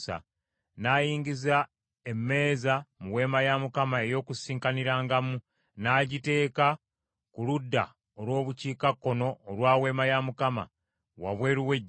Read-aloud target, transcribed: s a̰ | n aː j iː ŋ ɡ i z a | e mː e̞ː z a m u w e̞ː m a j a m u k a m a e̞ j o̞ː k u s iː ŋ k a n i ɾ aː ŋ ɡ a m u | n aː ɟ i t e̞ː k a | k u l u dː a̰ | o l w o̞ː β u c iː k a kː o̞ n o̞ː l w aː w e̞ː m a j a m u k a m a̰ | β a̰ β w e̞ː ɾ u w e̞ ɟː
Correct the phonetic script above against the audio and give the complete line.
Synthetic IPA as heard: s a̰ | n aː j iː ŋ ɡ i z a | e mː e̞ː z a m u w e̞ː m a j a m u k a m a e̞ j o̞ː k u s iː ŋ k a n i ɾ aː ŋ ɡ a m u | n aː ɟ i t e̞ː k a | k u l u dː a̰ | o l w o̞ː β u c iː k a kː o̞ n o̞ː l w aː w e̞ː m a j a m u k a m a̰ | w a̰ β w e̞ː ɾ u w e̞ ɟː